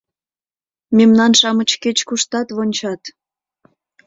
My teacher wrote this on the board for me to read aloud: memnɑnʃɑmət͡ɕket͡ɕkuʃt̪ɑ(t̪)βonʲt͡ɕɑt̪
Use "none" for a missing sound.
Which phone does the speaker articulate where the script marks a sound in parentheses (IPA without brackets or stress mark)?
t̪